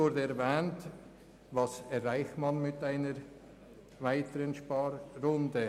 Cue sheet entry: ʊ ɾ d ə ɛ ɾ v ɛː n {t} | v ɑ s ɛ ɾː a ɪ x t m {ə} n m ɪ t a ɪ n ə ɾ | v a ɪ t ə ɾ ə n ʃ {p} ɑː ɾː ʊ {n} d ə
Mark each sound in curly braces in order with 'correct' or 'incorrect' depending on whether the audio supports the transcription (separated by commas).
correct, incorrect, correct, correct